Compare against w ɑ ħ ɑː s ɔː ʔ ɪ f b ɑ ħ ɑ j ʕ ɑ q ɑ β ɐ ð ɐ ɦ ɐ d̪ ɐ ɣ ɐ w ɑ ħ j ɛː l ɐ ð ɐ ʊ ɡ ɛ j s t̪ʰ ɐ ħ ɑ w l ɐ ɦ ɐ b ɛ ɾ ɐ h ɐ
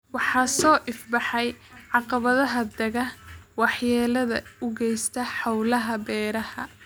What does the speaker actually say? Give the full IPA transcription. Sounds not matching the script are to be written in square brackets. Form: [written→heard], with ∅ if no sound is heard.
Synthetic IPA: w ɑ ħ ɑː s ɔː ʔ ɪ f b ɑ ħ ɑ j ʕ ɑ q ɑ β ɐ ð ɐ ɦ ɐ d̪ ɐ ɣ ɐ w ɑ ħ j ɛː l ɐ ð ɐ ʊ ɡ ɛ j s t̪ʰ ɐ ħ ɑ w l ɐ ɦ ɐ b [ɛ→ɛː] ɾ ɐ h ɐ